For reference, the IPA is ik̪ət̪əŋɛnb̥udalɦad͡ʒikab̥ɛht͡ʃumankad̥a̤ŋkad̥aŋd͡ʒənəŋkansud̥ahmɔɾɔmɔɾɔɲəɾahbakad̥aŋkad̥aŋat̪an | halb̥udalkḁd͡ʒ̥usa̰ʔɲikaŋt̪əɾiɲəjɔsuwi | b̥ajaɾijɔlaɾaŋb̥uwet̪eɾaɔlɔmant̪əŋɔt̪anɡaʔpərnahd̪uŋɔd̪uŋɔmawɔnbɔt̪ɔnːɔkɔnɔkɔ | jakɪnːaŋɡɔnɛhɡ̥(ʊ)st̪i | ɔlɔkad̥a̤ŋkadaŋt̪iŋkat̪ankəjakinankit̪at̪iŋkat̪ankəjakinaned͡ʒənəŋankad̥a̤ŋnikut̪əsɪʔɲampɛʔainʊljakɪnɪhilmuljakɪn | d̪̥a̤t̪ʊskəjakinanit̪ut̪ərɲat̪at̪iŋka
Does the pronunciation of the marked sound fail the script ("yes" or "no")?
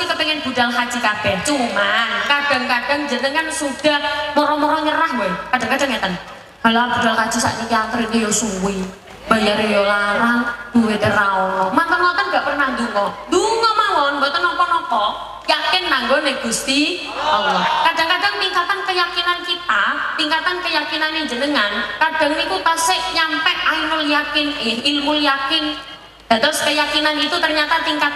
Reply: yes